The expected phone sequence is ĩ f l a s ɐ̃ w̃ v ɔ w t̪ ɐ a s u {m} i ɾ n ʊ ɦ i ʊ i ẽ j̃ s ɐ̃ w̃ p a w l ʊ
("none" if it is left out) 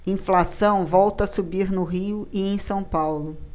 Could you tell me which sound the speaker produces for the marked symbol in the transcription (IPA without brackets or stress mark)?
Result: b